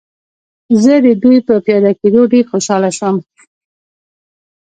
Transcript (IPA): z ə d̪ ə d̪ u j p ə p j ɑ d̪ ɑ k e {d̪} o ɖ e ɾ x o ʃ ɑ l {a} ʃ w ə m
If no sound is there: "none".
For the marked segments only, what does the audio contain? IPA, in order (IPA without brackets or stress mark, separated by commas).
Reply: d̪, a